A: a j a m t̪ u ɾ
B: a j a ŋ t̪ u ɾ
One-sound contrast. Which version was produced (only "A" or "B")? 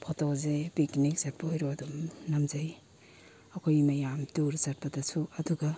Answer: A